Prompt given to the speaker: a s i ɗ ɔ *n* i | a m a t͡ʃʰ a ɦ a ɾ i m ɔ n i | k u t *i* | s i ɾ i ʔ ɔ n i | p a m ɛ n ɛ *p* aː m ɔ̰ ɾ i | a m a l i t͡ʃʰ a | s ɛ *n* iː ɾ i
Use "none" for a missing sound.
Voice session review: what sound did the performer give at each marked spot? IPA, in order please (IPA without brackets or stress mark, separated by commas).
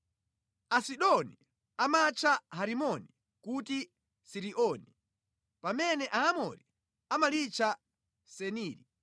n, i, ʔ, n